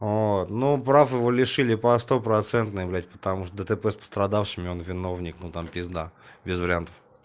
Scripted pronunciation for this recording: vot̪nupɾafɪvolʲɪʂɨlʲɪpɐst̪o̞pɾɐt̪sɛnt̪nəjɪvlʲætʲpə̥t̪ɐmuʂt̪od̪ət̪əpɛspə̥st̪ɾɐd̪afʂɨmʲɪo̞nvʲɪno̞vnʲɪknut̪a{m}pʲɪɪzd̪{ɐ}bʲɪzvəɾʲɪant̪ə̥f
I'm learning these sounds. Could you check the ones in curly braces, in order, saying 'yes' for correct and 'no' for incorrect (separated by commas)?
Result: yes, no